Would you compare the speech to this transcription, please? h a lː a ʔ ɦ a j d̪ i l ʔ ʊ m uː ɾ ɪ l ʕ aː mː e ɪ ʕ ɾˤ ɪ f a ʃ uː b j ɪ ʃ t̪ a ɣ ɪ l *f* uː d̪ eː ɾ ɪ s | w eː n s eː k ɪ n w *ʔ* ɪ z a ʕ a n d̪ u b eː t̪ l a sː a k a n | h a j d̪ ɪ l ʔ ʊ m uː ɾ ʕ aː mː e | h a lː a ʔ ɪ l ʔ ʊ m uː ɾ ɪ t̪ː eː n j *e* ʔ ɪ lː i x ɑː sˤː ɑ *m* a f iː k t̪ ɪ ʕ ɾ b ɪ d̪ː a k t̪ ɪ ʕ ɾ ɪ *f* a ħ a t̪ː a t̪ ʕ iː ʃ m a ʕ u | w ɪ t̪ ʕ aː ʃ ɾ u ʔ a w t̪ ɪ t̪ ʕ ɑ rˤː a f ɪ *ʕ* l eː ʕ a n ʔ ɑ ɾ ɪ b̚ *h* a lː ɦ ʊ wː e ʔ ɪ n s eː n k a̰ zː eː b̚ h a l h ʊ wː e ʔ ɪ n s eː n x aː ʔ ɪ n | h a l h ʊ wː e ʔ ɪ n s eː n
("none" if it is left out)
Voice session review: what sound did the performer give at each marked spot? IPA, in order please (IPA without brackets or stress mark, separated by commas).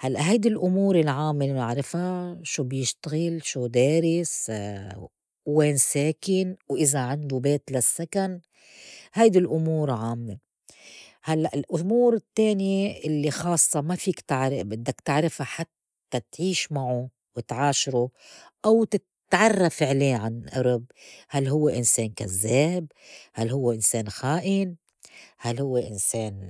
ʃ, ʔ, e, m, f, ʕ, h